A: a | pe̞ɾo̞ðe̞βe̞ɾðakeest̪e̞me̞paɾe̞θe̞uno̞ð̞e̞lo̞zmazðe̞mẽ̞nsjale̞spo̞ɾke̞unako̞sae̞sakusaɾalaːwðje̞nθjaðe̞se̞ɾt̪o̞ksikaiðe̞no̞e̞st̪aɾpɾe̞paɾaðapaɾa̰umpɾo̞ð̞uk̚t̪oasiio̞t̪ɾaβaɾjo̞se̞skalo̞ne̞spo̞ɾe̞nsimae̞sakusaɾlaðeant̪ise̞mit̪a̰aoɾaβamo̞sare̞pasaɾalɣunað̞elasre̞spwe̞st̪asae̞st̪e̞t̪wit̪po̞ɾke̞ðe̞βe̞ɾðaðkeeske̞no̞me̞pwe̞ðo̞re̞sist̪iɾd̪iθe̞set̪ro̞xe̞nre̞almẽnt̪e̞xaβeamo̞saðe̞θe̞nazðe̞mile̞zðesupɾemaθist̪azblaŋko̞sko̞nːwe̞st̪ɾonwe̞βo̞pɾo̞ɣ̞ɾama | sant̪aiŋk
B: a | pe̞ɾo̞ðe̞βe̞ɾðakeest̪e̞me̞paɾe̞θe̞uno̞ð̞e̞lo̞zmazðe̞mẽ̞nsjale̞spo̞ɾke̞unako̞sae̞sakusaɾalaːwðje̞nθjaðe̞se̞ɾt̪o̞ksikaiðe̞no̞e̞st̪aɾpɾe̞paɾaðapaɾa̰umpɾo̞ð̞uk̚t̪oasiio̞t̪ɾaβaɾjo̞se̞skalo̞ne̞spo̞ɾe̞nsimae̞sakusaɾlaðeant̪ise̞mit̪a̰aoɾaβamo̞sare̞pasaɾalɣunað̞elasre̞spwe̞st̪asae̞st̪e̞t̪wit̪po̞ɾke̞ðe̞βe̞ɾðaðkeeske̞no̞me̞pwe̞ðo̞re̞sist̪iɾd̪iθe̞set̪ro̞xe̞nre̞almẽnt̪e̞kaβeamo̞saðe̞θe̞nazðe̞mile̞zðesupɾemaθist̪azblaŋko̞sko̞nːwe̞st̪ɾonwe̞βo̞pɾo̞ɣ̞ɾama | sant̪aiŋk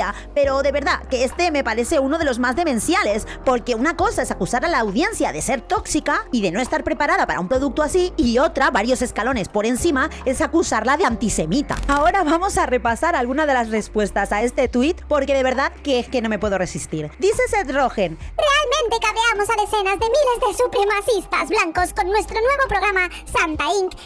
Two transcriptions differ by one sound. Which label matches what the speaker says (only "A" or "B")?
B